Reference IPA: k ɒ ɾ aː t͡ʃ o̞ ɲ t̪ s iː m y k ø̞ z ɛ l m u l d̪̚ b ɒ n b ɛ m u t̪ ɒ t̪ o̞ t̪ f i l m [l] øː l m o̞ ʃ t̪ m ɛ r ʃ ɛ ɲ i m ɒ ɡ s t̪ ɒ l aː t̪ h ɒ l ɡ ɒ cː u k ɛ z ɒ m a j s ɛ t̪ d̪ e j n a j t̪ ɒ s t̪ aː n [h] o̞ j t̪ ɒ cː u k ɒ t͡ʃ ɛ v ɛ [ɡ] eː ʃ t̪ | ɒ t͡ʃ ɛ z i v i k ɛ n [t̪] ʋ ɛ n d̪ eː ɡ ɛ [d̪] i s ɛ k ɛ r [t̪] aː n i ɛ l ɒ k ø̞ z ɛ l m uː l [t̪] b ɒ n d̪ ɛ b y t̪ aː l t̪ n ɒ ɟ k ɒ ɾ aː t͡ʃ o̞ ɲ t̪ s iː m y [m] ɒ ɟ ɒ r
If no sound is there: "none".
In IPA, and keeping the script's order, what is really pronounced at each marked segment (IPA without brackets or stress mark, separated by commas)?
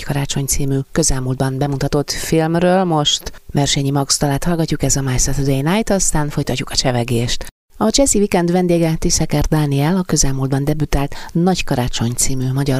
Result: r, f, ɡ, d̪, t̪, d̪, d̪, m